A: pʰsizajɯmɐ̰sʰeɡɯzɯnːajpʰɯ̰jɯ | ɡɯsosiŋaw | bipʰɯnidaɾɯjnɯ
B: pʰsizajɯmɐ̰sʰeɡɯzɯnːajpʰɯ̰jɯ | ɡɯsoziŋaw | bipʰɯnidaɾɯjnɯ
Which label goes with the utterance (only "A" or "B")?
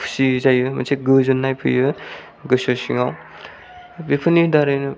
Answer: A